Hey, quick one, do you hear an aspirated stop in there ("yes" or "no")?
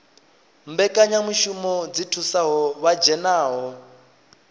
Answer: yes